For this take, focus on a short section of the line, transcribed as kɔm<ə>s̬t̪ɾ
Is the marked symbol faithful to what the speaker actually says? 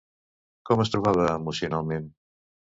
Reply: yes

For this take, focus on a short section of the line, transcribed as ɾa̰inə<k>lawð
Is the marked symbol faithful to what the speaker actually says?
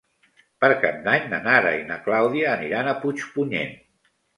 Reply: yes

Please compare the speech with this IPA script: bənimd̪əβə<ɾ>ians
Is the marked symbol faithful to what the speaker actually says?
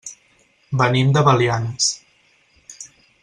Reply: no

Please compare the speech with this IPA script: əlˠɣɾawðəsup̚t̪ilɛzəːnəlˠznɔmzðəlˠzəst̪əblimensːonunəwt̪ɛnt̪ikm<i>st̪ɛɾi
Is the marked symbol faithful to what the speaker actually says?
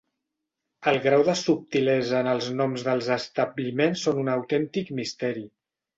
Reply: yes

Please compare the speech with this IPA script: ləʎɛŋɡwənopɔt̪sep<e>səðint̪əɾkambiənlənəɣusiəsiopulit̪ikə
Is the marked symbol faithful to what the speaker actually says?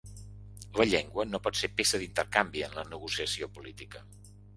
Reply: yes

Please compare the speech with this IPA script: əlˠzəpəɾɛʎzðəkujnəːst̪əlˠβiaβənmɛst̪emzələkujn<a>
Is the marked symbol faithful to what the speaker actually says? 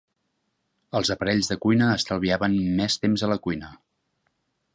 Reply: no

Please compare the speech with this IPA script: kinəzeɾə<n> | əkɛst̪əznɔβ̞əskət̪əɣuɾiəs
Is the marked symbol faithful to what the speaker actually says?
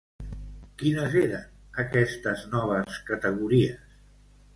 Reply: yes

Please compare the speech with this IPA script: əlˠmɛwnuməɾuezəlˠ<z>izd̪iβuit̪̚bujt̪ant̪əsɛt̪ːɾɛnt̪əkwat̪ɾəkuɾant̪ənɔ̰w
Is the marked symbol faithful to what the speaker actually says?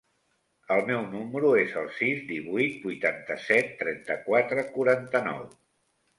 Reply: no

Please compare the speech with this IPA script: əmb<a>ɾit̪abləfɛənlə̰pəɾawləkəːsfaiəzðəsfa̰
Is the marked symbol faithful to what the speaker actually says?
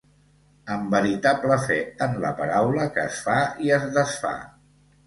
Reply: no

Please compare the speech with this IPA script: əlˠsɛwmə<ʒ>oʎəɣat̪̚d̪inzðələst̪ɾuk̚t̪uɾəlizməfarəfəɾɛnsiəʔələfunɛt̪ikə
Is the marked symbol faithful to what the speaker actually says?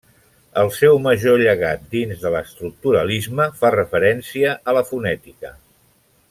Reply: yes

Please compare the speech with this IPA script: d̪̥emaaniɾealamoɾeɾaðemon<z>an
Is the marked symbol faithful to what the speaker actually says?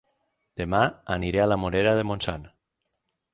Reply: no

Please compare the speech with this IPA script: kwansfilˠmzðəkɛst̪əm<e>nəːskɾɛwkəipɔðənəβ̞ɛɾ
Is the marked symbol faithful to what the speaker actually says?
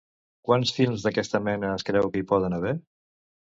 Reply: no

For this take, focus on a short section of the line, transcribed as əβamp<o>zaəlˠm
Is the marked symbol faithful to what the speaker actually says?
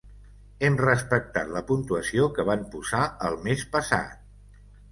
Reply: no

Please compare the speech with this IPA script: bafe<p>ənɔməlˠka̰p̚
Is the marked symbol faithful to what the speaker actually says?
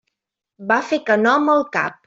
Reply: no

